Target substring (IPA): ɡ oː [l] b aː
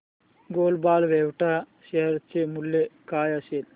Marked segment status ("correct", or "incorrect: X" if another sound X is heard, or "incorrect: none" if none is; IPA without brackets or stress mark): correct